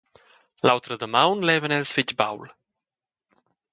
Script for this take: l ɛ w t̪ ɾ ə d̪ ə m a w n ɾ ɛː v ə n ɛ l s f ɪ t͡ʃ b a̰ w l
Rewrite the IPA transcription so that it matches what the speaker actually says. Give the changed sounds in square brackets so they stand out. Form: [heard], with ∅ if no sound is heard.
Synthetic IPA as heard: l [a] w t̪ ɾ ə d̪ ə m a w n [l] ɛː v ə n ɛ l s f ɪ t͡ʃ b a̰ w l